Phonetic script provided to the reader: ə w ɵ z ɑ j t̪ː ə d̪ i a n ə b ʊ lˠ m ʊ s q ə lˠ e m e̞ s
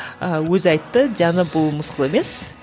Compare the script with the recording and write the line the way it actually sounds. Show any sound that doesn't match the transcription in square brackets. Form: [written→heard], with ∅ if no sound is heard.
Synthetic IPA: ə w ɵ z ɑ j t̪ː ə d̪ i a n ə b ʊ lˠ m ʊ s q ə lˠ e m e̞ s